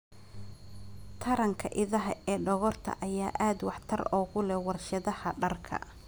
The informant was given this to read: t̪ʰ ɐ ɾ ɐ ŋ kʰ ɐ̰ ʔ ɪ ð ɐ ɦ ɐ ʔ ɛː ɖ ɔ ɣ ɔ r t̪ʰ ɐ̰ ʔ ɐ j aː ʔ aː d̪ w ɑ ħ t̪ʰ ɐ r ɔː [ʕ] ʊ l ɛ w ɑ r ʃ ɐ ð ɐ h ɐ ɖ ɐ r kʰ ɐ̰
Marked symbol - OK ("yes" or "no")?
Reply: no